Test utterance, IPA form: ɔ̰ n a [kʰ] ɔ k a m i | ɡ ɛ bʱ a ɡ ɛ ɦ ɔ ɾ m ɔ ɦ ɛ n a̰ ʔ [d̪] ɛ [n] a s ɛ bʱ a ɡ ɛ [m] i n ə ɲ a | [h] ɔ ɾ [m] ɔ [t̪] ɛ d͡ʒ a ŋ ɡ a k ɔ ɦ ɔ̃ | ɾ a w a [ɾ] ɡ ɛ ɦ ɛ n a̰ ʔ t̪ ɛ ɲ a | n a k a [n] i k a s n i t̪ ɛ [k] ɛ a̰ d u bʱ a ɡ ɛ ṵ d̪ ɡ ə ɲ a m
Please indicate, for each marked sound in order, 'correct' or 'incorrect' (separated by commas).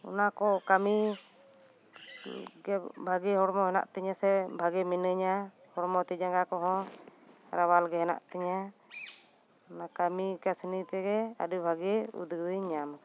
incorrect, incorrect, incorrect, correct, correct, correct, correct, incorrect, incorrect, incorrect